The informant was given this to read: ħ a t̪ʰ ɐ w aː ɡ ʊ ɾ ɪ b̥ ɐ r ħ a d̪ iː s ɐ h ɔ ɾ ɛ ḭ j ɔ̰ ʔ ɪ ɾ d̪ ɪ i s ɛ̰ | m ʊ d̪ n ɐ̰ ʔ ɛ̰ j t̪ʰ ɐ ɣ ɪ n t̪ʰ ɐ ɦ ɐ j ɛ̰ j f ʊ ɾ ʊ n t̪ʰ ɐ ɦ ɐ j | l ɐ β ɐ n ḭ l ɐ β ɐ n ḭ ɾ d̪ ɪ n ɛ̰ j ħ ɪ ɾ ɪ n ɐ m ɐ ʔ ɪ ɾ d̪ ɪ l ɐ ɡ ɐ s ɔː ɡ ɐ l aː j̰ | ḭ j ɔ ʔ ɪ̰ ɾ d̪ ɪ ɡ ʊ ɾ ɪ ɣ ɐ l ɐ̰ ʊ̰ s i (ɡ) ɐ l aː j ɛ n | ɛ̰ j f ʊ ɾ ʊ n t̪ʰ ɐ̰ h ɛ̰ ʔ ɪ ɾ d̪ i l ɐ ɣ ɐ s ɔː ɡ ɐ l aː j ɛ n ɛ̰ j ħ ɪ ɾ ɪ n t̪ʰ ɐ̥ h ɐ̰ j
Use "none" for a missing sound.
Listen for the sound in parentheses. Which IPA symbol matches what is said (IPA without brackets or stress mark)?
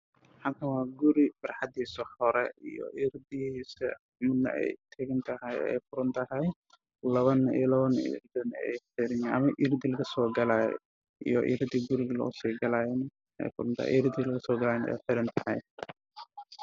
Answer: ɡ